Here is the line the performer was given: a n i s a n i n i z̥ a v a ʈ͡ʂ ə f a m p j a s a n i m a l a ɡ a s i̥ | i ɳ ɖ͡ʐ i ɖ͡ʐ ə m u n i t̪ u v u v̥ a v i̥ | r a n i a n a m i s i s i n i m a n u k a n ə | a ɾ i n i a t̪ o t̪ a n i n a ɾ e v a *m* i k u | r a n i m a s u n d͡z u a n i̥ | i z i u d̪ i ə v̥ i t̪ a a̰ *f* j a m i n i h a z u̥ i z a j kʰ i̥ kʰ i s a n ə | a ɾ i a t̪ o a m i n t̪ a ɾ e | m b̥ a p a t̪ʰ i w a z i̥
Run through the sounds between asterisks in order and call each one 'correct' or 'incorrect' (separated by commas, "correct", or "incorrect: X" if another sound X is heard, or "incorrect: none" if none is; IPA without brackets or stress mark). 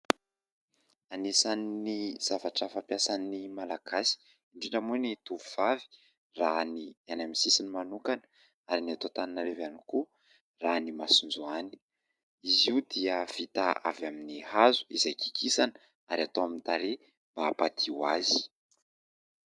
incorrect: n, incorrect: v